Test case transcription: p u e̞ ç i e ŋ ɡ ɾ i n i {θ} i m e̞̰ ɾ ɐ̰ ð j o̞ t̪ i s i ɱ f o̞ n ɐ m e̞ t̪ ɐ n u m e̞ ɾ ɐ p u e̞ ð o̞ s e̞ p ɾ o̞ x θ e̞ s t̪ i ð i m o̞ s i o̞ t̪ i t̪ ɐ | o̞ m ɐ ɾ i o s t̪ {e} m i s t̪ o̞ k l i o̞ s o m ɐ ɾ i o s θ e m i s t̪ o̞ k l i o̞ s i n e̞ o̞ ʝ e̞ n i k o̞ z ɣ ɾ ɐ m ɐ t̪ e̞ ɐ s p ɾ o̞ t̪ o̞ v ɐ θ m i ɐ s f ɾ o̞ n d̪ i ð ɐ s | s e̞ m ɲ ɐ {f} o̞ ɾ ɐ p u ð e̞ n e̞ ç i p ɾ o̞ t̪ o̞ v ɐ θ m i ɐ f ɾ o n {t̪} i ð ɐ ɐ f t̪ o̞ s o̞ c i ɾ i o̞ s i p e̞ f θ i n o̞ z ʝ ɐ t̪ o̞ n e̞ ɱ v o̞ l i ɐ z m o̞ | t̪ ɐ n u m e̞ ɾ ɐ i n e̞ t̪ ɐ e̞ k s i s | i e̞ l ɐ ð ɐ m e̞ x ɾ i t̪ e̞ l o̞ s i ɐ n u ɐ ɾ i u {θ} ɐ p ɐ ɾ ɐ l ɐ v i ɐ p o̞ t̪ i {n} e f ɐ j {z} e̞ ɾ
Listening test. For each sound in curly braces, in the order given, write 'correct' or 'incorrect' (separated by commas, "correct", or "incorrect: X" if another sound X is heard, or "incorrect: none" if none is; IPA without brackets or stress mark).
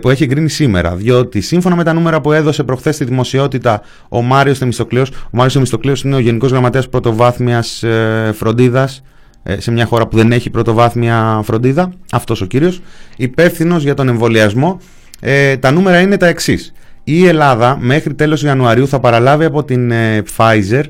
incorrect: s, correct, incorrect: x, incorrect: d̪, correct, correct, correct